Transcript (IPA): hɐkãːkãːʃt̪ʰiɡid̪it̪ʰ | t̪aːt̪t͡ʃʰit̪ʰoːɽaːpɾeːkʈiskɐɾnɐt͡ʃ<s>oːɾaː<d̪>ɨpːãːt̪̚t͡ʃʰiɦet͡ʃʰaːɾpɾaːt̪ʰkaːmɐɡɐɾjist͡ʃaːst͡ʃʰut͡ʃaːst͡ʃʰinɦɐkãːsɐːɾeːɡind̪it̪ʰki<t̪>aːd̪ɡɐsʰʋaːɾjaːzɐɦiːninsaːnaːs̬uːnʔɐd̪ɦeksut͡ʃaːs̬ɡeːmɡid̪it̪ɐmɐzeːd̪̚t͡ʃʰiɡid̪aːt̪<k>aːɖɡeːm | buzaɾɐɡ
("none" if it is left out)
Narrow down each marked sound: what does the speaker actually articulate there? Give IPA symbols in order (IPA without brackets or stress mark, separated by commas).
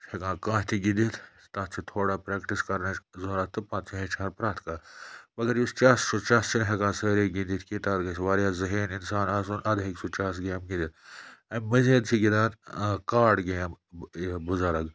z, t̪, t̪, k